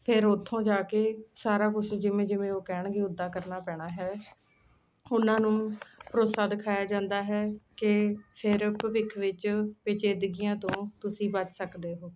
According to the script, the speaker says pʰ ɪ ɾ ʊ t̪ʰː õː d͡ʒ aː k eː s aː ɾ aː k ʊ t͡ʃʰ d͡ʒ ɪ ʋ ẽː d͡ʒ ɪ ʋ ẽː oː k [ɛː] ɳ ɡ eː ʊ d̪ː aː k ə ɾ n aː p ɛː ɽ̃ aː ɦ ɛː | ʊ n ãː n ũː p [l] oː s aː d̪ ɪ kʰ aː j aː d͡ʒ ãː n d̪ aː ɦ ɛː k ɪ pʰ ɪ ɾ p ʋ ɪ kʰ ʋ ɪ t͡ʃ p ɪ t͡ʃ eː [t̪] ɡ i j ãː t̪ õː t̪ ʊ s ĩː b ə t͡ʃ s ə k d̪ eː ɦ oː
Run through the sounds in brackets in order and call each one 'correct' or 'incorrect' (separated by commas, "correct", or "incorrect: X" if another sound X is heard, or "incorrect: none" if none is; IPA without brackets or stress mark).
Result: correct, incorrect: ɾ, incorrect: d̪